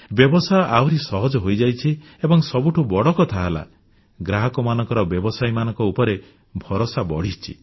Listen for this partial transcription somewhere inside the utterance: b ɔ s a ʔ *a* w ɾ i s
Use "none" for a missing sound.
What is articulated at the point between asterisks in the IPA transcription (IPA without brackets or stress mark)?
a